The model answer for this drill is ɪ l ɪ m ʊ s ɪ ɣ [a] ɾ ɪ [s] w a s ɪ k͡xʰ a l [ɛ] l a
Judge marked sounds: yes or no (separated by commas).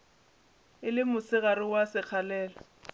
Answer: yes, no, no